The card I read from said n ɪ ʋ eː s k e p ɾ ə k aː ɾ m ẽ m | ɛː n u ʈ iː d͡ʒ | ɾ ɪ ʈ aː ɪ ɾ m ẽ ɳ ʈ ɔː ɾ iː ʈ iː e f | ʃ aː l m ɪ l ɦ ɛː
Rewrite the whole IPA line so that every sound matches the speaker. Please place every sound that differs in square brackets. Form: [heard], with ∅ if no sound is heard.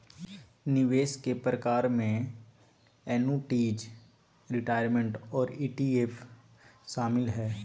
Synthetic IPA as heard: n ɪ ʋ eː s k e p ɾ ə k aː ɾ m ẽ [∅] | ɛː n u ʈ iː d͡ʒ | ɾ ɪ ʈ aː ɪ ɾ m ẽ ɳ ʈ ɔː ɾ iː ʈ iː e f | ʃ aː [∅] m ɪ l ɦ ɛː